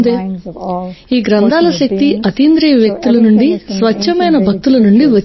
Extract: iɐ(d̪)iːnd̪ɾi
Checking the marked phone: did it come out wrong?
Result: yes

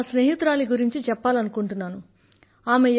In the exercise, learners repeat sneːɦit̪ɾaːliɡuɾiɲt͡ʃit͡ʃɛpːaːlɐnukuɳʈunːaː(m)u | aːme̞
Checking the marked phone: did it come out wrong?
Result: yes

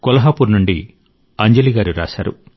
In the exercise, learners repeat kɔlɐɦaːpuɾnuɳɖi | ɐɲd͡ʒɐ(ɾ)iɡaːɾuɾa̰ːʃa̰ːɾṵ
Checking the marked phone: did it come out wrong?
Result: yes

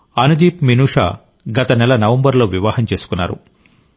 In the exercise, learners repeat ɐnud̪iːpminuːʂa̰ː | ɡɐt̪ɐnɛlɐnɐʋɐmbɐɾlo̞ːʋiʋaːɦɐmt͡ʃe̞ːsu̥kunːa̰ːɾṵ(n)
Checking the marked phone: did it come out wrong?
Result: yes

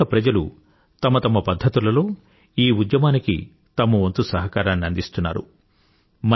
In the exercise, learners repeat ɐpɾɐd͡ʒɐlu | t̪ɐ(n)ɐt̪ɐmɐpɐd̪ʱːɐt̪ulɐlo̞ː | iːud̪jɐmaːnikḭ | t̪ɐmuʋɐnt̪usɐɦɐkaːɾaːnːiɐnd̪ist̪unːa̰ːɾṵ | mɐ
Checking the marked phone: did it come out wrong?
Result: yes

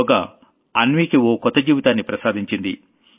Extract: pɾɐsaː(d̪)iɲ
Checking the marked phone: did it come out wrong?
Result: no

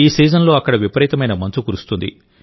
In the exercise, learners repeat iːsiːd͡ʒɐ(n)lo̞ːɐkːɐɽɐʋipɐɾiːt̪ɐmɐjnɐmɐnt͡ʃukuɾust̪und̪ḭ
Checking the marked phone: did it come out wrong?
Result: no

